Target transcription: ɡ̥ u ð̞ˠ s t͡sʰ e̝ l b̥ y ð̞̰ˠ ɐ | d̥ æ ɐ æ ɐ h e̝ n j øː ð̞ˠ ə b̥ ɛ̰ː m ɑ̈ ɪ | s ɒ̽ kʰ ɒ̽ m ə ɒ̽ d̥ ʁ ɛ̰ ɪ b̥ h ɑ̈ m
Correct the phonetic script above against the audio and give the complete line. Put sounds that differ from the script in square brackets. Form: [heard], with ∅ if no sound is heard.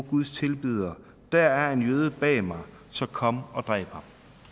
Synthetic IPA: ɡ̥ u ð̞ˠ s t͡sʰ e̝ l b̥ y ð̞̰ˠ ɐ | d̥ æ ɐ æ ɐ [∅] e̝ n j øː ð̞ˠ ə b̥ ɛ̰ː m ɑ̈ ɪ | s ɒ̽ kʰ ɒ̽ m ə ɒ̽ d̥ ʁ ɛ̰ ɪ b̥ h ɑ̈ m